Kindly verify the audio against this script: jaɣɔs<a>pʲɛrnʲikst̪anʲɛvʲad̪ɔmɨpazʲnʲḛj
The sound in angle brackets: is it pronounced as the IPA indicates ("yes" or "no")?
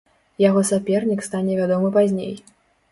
yes